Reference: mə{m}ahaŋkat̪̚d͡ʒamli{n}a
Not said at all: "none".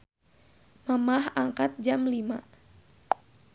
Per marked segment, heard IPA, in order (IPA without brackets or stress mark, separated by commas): m, m